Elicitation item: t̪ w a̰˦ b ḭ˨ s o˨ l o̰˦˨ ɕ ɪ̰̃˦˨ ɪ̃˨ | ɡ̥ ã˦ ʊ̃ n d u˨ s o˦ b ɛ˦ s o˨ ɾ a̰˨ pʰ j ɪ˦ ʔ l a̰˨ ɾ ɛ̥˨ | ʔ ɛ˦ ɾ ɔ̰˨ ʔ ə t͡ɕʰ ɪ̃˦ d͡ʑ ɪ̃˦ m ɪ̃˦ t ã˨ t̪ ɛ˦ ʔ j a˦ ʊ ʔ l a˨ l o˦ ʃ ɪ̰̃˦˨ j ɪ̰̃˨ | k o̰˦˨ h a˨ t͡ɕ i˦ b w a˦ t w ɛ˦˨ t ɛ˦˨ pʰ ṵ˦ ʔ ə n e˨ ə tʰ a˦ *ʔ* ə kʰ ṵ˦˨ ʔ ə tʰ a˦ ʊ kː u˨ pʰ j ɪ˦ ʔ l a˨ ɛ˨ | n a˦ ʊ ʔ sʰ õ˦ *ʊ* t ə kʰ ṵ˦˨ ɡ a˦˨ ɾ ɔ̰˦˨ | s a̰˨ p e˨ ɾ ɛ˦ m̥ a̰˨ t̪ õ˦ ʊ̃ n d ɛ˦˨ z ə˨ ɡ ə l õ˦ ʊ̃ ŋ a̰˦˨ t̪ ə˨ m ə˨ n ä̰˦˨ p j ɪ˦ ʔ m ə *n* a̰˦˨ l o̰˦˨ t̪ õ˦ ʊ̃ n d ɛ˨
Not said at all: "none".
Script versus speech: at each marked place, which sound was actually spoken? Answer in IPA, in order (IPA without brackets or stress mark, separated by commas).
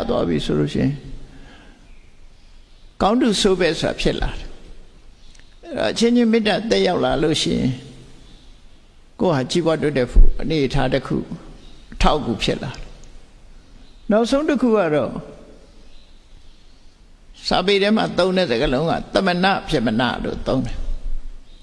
t, ʊ̃, n